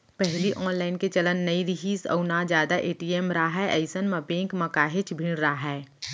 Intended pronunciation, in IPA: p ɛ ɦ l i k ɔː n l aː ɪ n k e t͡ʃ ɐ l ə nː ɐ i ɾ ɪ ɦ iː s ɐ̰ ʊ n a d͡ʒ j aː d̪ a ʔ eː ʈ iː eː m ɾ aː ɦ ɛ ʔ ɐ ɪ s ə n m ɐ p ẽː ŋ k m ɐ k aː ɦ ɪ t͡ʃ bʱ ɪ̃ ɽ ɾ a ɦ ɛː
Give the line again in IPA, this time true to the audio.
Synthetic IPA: p ɛ ɦ l i ʔ ɔː n l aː ɪ n k e t͡ʃ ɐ l ə nː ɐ i ɾ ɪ ɦ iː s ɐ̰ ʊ n a d͡ʒ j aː d̪ a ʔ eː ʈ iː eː m ɾ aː ɦ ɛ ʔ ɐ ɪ s ə n m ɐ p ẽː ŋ k m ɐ k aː ɦ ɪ t͡ʃ bʱ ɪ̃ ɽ ɾ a ɦ ɛː